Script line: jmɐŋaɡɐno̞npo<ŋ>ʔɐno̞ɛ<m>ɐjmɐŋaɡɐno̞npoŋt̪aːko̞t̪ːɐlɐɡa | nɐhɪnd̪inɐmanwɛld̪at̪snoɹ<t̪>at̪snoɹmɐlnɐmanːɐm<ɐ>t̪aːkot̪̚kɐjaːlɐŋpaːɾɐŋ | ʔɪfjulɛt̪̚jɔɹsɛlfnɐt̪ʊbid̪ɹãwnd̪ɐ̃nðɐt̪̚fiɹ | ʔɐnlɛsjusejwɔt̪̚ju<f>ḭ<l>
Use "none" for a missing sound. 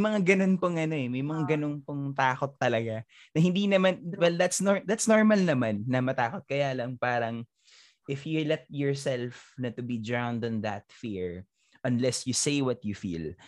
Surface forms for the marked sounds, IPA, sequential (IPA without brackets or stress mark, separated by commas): ŋ, m, d̪, ɐ, f, l